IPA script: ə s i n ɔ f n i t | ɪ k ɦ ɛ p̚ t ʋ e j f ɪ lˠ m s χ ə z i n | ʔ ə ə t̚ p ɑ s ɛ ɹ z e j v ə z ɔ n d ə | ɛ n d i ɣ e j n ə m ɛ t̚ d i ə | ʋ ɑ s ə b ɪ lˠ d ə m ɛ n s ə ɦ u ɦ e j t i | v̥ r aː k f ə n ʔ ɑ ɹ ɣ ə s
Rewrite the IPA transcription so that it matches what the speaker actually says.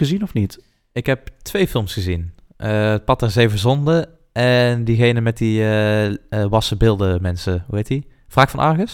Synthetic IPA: ə z i n ɔ f n i t | ɪ k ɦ ɛ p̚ t ʋ e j f ɪ lˠ m s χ ə z i n | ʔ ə ə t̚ p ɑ t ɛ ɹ z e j v ə z ɔ n d ə | ɛ n d i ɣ e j n ə m ɛ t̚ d i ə | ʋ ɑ s ə b ɪ lˠ d ə m ɛ n s ə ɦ u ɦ e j t i | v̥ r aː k f ɑ n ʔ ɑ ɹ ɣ ə s